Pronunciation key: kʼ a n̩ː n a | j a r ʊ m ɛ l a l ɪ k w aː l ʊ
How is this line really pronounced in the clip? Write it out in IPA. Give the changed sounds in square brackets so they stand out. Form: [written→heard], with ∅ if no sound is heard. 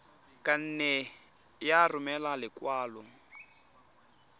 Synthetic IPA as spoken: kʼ a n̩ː n [a→ɛ] | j a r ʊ m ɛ l a l ɪ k w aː l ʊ